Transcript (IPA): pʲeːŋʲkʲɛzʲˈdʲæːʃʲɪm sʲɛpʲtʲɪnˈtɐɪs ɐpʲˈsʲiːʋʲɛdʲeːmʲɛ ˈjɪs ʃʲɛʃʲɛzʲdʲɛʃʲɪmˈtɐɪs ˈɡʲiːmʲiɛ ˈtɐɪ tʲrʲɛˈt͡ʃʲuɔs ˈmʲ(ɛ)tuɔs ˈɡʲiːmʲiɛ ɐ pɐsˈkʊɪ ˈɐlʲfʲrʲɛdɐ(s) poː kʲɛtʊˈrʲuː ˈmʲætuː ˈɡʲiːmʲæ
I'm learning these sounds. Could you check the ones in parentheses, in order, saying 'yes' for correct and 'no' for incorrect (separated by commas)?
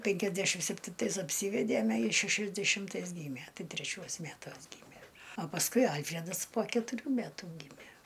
no, yes